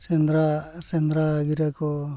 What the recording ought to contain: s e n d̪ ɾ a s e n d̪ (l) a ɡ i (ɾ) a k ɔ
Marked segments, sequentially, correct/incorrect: incorrect: ɾ, correct

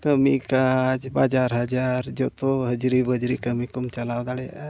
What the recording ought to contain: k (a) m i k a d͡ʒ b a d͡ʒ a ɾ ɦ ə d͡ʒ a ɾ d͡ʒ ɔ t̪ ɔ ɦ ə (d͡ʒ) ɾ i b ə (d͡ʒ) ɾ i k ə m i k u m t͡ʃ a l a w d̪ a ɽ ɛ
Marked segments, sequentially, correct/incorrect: incorrect: ə, correct, correct

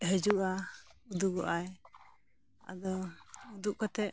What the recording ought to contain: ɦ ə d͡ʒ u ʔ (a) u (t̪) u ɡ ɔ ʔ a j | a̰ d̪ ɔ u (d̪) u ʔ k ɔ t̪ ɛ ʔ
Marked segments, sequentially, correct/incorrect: correct, incorrect: d̪, correct

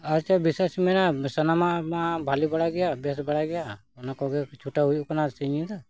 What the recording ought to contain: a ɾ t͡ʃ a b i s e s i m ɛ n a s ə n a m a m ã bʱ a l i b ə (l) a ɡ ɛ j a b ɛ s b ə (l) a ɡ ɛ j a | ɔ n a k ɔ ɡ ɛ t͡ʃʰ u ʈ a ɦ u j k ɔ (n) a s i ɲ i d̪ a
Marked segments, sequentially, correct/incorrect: incorrect: ɽ, incorrect: ɽ, correct

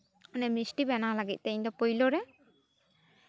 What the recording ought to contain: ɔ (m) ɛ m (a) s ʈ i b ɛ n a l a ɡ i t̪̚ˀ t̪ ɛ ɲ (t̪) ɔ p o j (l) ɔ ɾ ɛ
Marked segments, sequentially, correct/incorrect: incorrect: n, incorrect: i, incorrect: d̪, correct

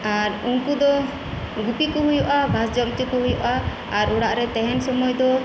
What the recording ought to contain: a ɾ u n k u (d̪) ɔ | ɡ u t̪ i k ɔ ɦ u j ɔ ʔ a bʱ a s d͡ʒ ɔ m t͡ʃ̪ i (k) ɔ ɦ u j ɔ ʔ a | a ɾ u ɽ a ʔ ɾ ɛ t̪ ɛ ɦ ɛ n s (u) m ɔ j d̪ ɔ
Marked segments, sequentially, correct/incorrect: correct, correct, incorrect: ɔ

